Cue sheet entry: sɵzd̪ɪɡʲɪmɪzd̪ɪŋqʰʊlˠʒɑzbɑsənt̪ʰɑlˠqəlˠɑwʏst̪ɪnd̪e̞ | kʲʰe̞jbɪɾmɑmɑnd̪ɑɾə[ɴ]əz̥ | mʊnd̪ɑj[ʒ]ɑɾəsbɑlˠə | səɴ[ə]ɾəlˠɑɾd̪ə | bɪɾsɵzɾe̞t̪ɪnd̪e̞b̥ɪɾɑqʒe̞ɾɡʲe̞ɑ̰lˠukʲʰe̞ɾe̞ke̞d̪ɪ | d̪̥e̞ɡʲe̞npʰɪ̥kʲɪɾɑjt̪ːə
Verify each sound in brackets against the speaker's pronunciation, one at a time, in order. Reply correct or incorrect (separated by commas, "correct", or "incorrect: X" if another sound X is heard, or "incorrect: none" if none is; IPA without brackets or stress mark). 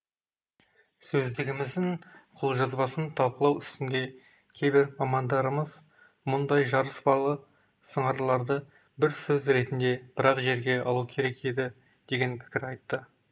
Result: incorrect: m, correct, incorrect: ɑ